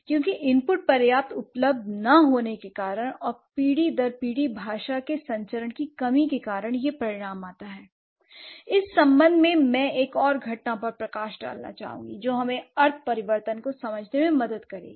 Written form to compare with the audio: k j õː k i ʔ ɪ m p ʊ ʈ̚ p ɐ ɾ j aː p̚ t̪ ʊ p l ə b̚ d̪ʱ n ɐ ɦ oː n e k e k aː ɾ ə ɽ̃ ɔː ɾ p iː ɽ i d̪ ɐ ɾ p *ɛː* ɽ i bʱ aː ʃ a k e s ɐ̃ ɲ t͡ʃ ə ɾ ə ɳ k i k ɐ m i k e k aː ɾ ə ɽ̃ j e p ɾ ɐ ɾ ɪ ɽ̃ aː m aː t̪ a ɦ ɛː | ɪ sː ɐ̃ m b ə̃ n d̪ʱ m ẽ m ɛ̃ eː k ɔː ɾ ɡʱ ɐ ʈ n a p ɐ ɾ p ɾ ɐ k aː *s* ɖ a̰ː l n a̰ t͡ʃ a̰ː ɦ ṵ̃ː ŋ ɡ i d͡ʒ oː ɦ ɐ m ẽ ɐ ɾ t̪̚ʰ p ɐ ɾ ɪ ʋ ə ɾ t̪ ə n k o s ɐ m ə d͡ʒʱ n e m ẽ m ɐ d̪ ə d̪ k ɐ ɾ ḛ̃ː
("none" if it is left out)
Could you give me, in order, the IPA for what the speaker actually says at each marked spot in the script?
iː, ʃ

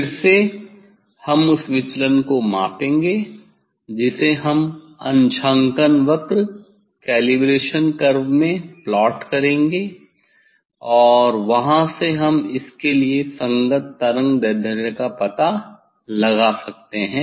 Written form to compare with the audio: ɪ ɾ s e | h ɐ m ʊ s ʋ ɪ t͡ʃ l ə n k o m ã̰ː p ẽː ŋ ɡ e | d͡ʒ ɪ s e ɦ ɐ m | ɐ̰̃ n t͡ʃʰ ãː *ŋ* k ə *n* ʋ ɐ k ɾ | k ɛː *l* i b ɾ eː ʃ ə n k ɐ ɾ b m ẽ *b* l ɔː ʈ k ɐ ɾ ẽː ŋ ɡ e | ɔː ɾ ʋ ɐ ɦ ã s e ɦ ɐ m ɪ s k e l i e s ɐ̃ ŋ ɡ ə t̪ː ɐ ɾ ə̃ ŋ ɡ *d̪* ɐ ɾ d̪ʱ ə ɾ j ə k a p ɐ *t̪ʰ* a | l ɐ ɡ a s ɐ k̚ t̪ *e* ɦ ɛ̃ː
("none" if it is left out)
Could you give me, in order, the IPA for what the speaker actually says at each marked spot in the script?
ŋ, n, l, p, d̪, t̪, e

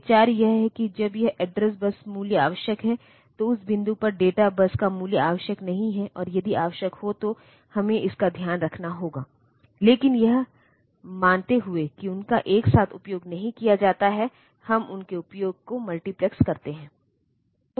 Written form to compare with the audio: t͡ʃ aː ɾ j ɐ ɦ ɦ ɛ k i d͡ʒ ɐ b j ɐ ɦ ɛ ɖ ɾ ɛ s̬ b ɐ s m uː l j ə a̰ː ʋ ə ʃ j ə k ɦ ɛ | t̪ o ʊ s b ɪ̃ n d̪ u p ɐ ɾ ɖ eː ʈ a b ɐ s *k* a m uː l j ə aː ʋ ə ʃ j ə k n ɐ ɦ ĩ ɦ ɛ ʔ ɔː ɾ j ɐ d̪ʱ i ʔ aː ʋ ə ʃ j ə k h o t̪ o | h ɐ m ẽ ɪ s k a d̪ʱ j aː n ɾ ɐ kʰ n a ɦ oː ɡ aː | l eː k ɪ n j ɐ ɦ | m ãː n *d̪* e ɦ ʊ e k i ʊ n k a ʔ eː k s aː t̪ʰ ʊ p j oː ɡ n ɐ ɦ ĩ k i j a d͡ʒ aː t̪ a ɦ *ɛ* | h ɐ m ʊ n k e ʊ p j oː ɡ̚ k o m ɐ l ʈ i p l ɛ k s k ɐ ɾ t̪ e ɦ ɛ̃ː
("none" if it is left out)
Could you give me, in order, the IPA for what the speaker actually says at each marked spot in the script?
k, t̪, ɛ

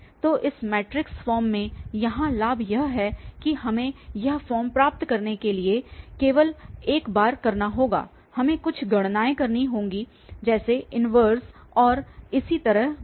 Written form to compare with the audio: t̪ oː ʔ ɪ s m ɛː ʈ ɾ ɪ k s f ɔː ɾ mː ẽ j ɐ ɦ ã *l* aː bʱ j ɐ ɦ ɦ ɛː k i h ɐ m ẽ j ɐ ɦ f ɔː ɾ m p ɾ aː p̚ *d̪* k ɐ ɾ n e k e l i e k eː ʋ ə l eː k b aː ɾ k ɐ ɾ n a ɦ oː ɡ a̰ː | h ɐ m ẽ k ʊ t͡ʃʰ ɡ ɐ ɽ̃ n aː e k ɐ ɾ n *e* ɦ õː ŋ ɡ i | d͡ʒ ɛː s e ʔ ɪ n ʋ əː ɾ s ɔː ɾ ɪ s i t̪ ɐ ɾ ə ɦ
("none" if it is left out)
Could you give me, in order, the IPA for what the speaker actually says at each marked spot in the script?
l, t̪, i

